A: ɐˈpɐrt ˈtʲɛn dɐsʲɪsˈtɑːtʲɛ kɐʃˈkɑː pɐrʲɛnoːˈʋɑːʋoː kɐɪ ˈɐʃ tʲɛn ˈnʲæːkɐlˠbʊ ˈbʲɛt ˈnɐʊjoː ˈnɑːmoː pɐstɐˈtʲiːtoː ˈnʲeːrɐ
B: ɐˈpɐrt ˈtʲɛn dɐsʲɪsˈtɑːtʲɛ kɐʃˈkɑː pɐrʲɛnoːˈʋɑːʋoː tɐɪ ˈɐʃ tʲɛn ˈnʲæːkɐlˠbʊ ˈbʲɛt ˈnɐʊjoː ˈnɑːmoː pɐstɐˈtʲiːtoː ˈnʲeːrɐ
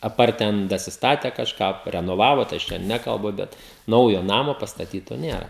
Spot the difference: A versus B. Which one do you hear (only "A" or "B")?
B